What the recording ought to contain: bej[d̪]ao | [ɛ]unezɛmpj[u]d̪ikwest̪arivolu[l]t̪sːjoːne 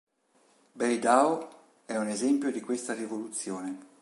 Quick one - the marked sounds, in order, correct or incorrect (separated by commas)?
correct, correct, incorrect, incorrect